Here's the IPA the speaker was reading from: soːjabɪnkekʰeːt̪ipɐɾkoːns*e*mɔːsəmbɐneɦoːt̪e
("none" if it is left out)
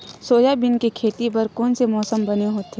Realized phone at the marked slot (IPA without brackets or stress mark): e